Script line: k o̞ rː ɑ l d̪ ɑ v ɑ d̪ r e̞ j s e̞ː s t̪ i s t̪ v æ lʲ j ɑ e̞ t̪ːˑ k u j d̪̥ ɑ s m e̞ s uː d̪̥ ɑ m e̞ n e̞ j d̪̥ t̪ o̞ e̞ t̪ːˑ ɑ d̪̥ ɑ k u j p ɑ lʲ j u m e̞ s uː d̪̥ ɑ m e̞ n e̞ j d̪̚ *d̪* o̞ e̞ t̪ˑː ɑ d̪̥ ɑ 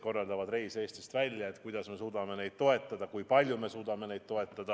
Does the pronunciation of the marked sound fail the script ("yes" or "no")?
yes